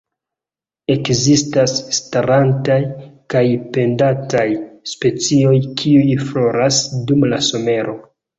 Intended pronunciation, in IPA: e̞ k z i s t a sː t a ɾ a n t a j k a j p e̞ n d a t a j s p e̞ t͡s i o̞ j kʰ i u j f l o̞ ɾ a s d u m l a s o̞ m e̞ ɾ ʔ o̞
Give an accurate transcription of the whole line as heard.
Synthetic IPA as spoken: e̞ k z i s t a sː t a ɾ a n t a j k a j p e̞ n d a t a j s p e̞ t͡s i o̞ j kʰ i u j f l o̞ ɾ a s d u m l a s o̞ m e̞ ɾ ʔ o̞